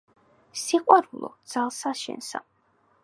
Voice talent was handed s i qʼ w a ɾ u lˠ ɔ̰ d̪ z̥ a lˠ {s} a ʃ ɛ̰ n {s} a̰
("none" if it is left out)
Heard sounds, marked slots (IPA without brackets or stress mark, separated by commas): s, s